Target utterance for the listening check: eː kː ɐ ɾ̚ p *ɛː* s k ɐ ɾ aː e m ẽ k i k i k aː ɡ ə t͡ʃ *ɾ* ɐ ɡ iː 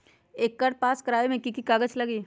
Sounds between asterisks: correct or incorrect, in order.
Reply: incorrect, incorrect

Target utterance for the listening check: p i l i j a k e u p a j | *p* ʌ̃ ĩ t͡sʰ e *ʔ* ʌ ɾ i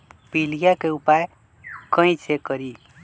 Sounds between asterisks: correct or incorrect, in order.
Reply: incorrect, incorrect

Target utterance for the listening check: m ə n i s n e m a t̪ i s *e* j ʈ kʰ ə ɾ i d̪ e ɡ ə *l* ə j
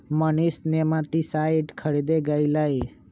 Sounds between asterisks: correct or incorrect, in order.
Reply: incorrect, correct

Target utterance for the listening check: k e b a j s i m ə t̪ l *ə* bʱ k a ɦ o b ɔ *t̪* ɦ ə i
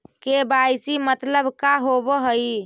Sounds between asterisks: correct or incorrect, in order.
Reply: correct, incorrect

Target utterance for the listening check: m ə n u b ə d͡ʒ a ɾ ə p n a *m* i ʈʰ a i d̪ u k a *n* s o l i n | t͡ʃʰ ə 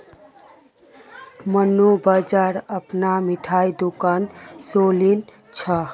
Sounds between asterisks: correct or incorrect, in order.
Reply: correct, correct

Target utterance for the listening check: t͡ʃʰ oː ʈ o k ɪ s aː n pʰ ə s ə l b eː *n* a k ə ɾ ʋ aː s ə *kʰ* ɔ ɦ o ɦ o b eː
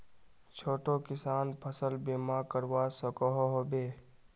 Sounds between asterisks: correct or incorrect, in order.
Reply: incorrect, incorrect

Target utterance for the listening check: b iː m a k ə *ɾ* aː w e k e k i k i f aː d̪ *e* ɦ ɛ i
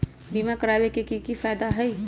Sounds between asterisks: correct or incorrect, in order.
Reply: correct, incorrect

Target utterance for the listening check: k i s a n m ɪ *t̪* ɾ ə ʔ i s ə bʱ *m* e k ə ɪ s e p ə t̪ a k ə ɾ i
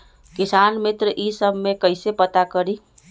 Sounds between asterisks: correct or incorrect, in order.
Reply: correct, correct

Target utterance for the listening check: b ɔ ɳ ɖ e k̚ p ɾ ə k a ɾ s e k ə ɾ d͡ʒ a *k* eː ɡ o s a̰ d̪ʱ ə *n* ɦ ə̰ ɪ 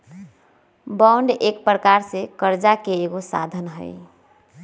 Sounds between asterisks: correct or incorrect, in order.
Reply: correct, correct

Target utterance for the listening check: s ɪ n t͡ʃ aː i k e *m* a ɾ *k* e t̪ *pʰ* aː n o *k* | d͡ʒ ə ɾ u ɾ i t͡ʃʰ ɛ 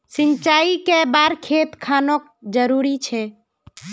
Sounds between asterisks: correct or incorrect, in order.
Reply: incorrect, incorrect, incorrect, correct

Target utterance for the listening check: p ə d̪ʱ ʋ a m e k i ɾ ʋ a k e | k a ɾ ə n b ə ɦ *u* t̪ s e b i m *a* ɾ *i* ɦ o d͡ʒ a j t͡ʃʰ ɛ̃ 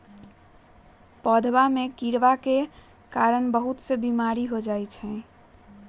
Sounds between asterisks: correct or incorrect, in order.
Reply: correct, correct, correct

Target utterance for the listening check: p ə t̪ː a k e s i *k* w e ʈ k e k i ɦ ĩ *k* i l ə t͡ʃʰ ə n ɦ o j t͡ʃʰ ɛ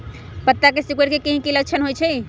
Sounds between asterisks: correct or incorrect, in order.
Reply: correct, correct

